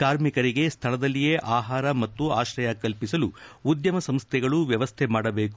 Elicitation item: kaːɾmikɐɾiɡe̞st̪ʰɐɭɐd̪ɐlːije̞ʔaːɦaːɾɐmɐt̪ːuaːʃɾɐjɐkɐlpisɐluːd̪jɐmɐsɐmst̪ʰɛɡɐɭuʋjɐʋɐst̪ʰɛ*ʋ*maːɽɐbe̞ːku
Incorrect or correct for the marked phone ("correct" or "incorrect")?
incorrect